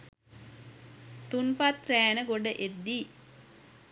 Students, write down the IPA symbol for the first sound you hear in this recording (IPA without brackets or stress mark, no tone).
t̪